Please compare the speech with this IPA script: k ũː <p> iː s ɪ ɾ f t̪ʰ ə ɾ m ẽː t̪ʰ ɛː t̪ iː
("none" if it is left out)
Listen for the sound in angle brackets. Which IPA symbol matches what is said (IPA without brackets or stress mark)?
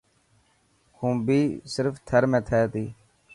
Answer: b